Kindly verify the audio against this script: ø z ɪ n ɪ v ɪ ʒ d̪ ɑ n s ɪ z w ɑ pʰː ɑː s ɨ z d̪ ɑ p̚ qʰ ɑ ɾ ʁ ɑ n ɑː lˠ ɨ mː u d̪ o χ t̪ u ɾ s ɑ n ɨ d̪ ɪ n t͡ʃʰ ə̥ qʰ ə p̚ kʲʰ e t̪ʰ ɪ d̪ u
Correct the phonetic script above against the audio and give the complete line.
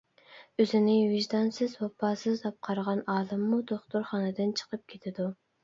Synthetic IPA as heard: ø z ɪ n ɪ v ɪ ʒ d̪ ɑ n s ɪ z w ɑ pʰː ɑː s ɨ z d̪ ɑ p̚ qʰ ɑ ɾ ʁ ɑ n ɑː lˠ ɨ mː u d̪ o χ t̪ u ɾ χ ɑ n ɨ d̪ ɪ n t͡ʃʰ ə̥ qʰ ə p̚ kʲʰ e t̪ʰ ɪ d̪ u